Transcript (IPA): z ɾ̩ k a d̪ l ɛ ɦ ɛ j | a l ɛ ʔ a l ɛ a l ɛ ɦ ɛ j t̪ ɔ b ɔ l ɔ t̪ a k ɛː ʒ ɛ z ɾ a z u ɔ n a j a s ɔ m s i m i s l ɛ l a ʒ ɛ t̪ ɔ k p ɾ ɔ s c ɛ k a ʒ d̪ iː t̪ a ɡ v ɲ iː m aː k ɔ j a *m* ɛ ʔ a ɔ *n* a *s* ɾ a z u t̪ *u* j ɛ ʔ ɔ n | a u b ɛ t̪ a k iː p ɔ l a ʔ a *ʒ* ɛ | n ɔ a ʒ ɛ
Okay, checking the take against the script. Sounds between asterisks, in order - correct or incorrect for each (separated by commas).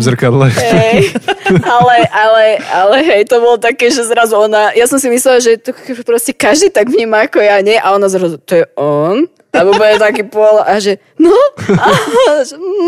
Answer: incorrect, correct, incorrect, incorrect, correct